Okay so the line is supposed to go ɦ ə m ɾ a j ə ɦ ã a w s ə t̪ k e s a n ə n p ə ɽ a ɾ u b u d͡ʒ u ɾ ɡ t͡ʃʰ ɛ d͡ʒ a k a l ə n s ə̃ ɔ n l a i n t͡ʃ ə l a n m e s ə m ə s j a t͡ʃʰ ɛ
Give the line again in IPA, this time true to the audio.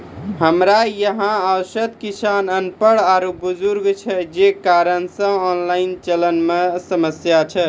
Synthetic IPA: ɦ ə m ɾ a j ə ɦ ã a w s ə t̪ k i s a n ə n p ə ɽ a ɾ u b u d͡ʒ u ɾ ɡ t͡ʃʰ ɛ d͡ʒ e k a ɾ ə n s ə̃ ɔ n l a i n t͡ʃ ə l ə n m e s ə m ə s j a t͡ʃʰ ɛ